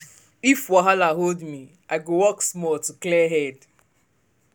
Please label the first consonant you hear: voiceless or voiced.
voiceless